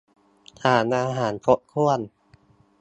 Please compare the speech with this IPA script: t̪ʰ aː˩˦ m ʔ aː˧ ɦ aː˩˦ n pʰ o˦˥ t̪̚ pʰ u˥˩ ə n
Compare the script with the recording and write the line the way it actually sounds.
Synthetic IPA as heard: t̪ʰ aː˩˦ n ʔ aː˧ ɦ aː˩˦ n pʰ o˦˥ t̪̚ kʰ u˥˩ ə n